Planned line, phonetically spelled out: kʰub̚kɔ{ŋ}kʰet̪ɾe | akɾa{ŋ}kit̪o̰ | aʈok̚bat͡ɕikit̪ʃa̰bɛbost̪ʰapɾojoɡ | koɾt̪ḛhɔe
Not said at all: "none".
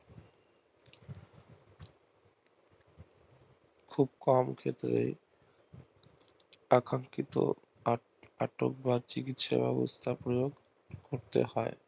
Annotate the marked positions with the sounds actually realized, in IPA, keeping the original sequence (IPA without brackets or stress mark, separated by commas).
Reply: m, ŋ